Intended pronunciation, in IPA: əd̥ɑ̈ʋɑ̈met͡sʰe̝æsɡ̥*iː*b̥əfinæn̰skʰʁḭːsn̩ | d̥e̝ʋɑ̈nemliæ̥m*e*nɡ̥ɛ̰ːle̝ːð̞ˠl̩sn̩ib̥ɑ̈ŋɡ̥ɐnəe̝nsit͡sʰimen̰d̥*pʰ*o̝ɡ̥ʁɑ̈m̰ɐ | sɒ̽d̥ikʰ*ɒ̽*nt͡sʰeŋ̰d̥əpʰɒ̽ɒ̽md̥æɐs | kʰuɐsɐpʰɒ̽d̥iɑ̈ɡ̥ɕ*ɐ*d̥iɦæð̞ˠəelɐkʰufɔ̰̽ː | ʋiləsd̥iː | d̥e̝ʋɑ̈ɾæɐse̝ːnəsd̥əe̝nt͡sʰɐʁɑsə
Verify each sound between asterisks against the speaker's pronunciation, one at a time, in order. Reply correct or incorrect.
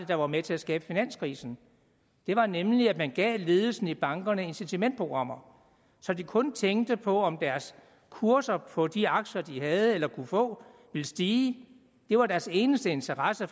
incorrect: ɛː, incorrect: æ, correct, incorrect: ɔ̽, correct

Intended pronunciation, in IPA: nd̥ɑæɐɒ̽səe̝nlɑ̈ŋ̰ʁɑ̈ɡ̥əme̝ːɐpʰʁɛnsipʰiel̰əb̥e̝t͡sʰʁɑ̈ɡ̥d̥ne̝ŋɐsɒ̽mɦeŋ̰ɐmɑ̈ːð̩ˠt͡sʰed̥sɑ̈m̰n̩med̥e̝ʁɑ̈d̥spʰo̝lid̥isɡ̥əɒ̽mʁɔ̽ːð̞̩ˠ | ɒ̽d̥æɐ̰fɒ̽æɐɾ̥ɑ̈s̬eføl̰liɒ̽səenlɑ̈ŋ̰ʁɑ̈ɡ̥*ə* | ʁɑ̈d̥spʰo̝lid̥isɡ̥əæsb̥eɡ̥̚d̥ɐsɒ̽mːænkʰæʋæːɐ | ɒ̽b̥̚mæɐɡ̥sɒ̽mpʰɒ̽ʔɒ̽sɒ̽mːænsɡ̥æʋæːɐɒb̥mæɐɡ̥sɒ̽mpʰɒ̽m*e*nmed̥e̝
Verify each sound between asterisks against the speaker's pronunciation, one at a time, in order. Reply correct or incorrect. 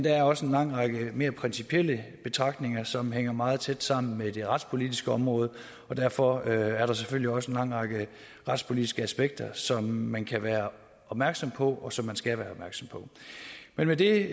correct, correct

